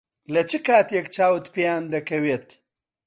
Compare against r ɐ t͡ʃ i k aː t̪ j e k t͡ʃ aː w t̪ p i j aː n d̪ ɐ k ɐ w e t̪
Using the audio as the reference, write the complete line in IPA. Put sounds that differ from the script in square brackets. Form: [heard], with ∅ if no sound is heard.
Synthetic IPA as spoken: [l] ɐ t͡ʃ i k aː t̪ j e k t͡ʃ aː w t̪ p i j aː n d̪ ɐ k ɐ w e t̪